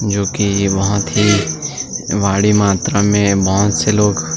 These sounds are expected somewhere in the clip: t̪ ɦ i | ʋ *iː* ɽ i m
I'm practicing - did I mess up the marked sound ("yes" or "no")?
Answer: yes